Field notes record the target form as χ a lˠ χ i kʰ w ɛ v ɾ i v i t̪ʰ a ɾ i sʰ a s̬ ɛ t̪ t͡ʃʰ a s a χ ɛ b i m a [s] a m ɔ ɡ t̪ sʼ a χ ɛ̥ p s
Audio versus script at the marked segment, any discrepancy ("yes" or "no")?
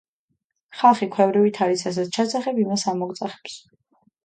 no